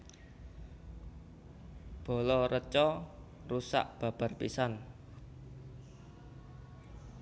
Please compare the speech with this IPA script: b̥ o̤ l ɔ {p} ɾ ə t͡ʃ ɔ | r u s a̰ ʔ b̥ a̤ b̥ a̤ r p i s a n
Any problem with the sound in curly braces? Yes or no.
yes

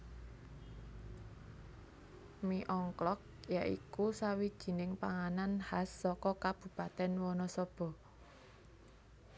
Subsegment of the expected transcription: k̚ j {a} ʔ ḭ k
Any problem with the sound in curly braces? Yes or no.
no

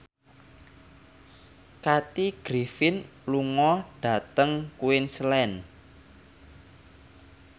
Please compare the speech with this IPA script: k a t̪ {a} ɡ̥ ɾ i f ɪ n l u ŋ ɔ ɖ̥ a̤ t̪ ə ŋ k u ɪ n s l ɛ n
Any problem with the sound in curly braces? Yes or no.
yes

